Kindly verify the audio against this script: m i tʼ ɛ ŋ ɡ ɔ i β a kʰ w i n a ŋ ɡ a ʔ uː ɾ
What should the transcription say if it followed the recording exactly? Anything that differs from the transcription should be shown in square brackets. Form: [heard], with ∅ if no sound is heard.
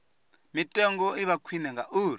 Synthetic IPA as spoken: m i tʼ ɛ ŋ ɡ ɔ i β a kʰ w i n [ɛ] ŋ ɡ a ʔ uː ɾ